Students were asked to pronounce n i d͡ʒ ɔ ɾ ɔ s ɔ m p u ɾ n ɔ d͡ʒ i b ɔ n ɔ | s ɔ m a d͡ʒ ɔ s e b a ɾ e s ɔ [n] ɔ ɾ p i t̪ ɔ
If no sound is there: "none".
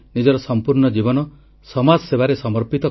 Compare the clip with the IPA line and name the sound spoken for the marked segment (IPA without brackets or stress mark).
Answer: m